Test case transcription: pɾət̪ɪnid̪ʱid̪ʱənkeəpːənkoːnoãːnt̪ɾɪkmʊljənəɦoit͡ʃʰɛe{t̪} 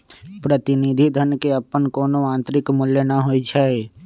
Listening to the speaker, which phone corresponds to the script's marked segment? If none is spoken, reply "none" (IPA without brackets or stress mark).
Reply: none